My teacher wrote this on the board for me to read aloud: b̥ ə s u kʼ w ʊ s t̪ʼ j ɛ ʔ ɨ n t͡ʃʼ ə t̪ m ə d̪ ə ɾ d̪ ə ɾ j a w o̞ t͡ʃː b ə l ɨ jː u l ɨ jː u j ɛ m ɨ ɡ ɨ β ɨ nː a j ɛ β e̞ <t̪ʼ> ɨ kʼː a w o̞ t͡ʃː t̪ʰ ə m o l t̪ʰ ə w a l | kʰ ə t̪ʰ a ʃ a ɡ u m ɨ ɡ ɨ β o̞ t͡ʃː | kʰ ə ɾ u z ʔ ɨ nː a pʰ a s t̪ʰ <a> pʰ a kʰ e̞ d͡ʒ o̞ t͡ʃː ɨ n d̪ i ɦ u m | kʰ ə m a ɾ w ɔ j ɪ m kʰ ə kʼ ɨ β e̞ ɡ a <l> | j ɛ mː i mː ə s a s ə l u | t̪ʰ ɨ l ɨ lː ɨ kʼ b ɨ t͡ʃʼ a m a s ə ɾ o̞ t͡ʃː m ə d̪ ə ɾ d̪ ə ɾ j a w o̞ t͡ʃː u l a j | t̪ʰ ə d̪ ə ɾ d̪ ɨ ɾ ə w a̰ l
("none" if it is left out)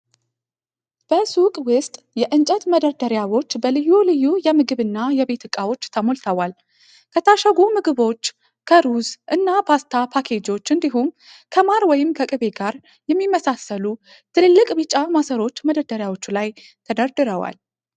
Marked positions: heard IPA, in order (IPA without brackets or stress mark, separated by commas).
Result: t̪, a, ɾ